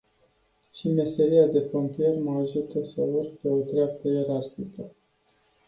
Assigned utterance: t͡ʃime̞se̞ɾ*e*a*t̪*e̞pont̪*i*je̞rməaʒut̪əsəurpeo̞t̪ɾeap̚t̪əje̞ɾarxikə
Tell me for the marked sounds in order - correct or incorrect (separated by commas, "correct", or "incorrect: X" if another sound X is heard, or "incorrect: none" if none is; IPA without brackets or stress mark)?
incorrect: i, incorrect: d̪, correct